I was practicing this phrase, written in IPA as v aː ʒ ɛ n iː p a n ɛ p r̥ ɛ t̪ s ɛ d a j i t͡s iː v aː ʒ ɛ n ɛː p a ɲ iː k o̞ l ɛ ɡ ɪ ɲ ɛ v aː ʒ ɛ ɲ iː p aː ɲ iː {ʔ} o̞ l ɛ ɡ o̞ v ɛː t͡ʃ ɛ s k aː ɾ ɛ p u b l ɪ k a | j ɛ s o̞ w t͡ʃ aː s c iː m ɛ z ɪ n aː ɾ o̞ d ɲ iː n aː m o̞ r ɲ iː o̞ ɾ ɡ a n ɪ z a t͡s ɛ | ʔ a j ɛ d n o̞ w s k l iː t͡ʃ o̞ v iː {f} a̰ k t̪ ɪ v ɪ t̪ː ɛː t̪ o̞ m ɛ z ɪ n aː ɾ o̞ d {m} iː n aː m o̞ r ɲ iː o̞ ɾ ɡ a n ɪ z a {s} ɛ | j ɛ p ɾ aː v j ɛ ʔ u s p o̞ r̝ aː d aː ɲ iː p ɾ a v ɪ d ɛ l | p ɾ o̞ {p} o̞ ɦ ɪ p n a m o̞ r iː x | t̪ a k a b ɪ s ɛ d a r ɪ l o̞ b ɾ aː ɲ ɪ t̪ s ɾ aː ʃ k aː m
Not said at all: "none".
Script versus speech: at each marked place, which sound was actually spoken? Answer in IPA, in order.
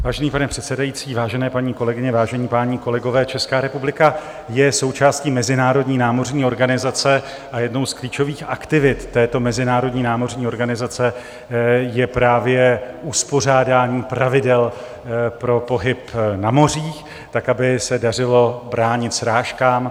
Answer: k, x, ɲ, t͡s, p

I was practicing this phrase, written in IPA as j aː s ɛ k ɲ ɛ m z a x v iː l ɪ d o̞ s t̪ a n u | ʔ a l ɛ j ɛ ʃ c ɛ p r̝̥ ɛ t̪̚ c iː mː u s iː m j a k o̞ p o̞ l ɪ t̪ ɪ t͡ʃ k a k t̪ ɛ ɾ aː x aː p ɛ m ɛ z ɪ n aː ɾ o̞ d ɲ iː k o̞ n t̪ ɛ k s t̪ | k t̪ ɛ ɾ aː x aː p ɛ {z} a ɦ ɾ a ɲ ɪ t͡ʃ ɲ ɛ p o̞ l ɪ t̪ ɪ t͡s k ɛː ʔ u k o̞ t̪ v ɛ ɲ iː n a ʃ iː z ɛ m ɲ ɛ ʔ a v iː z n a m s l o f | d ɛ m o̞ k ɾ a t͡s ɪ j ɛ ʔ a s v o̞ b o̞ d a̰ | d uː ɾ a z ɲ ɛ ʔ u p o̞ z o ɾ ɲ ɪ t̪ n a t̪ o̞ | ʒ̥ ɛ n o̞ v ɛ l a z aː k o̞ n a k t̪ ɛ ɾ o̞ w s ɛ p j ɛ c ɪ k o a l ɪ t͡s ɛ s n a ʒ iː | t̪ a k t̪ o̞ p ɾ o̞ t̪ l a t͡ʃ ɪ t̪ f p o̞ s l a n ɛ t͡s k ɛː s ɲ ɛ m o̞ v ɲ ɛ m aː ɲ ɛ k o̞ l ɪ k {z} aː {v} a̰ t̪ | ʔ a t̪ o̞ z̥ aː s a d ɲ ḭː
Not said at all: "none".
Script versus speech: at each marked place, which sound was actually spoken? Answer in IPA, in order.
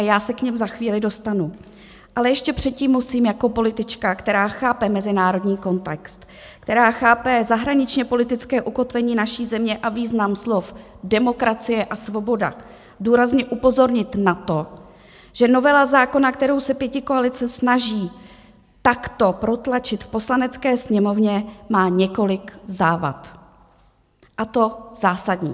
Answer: z, z, v

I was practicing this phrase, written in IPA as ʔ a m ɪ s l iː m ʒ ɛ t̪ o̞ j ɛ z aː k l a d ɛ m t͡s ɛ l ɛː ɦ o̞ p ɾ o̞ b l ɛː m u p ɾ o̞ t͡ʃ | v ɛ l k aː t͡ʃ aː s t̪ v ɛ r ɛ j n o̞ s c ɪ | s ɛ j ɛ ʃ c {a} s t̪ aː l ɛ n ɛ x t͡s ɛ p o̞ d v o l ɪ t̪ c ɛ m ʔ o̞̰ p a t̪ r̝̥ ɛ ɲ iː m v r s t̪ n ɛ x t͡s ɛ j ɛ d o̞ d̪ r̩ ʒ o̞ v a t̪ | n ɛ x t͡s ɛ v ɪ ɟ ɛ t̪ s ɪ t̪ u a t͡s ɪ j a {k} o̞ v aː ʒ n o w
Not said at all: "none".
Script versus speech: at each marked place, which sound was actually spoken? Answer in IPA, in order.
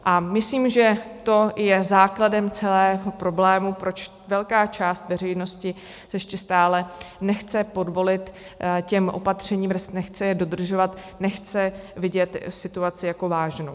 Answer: ɛ, k

